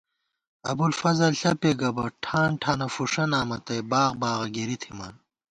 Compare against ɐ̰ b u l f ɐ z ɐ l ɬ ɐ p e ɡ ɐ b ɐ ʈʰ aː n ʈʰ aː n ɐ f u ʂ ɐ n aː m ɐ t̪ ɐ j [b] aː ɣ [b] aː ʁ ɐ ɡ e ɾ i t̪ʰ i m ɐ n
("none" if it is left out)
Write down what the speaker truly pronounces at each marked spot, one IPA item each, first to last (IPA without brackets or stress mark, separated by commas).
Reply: b, b